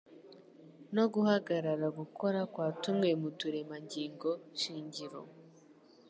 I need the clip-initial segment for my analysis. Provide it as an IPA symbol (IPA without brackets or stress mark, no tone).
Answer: n